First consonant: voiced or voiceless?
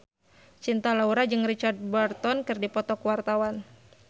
voiceless